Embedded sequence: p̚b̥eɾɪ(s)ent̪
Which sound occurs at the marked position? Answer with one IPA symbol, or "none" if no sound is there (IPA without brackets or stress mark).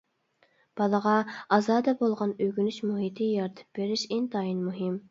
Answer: ʃ